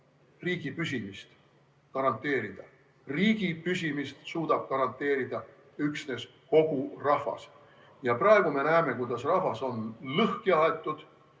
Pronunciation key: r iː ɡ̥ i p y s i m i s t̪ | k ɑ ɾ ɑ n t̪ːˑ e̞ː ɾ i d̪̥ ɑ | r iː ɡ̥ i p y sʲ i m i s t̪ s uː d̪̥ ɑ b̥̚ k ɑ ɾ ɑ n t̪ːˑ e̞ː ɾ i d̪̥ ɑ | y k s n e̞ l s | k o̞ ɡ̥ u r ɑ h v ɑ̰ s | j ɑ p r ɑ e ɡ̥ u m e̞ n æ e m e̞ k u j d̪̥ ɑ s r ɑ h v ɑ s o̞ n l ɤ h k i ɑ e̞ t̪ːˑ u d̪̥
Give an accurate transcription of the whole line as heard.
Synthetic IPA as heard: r iː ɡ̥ i p y s i m i s t̪ | k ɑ ɾ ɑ n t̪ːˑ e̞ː ɾ i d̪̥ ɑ | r iː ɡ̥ i p y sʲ i m i s t̪ s uː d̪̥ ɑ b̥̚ k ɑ ɾ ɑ n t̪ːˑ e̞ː ɾ i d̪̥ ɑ | y k s n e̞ s | k o̞ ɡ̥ u r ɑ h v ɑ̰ s | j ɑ p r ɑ e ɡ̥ u m e̞ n æ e m e̞ k u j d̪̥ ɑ s r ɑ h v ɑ s o̞ n l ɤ h k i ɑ e̞ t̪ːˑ u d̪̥